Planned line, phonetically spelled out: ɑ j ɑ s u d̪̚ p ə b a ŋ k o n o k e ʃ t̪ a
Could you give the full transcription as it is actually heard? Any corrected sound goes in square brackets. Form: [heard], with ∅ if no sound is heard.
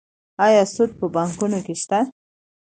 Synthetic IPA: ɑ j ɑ s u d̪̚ p ə b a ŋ k [u] n o k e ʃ t̪ a